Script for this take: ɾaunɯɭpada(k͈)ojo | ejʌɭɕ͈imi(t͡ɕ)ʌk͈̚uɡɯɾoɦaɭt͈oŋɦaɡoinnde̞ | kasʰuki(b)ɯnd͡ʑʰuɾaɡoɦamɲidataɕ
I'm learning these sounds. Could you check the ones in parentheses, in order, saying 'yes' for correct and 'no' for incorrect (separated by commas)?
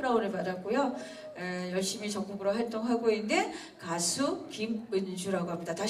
yes, yes, no